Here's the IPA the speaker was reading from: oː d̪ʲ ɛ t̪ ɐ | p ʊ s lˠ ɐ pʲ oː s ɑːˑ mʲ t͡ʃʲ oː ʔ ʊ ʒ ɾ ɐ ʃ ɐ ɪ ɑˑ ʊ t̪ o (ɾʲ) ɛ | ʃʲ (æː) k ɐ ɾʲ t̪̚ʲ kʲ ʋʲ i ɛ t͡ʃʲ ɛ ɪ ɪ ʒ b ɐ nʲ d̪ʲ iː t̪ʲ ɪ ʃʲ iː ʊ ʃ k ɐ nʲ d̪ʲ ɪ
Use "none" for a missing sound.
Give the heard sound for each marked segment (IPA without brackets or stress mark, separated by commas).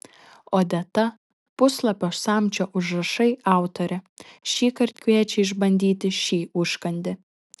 ɾʲ, iː